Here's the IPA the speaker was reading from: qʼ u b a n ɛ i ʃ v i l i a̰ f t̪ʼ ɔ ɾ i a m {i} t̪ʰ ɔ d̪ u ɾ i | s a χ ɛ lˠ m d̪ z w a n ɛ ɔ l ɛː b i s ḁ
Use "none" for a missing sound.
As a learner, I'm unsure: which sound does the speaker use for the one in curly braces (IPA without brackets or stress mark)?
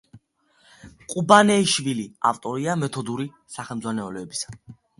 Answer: ɛ